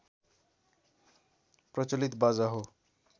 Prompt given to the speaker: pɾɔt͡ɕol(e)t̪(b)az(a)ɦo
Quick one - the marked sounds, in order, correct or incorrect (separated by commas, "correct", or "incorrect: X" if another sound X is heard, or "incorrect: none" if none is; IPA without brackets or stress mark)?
incorrect: i, correct, correct